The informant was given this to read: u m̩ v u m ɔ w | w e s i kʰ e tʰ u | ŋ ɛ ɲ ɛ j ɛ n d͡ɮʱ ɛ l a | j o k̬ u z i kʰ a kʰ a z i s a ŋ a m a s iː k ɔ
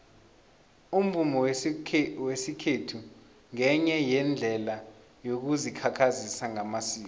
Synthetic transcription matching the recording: u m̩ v u m ɔ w | w e s i kʰ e tʰ u | ŋ ɛ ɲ ɛ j ɛ n d͡ɮʱ ɛ l a | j o k̬ u z i kʰ a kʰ a z i s a ŋ a m a s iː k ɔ